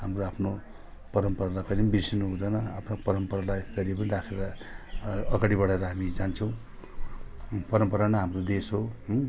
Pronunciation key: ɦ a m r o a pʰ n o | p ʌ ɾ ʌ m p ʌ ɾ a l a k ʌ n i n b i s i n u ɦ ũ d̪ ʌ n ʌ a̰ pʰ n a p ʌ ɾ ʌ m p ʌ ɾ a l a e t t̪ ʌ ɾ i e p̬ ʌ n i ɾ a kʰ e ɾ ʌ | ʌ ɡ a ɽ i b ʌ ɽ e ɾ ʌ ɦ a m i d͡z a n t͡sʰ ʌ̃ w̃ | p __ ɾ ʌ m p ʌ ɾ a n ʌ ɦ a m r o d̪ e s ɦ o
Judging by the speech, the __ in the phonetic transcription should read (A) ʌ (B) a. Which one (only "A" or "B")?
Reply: A